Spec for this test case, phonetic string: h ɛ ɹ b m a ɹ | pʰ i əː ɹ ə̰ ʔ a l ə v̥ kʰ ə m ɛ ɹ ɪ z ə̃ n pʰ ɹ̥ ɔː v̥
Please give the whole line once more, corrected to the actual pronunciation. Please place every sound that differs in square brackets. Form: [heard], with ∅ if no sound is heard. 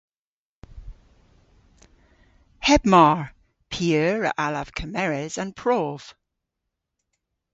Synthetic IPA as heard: h ɛ [∅] b m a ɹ | pʰ i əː ɹ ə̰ ʔ a l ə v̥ kʰ ə m ɛ ɹ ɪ z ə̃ n pʰ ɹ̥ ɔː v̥